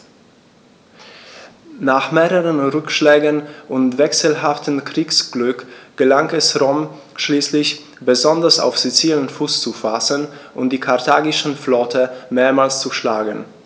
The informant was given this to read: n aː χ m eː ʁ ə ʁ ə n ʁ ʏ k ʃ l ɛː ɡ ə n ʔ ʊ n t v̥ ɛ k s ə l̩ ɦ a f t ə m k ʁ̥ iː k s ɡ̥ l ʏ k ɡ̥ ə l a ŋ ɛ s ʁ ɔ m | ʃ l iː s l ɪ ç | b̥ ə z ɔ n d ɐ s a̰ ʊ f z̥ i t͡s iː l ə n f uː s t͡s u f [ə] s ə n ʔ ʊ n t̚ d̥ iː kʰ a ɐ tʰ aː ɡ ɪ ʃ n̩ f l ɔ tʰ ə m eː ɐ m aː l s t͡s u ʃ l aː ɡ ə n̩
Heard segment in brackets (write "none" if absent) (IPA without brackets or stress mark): a